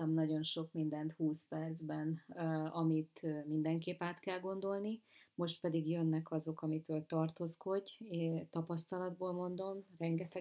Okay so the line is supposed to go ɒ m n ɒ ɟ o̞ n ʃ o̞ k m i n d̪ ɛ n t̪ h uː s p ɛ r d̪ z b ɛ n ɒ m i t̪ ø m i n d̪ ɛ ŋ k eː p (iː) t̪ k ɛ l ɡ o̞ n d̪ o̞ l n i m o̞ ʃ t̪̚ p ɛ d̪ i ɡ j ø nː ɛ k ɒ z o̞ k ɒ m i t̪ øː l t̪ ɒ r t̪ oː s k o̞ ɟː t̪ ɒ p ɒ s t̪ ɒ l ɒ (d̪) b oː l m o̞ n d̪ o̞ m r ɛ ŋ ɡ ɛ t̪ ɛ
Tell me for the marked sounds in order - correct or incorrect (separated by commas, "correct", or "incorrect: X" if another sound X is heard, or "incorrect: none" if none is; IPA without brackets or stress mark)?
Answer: incorrect: aː, correct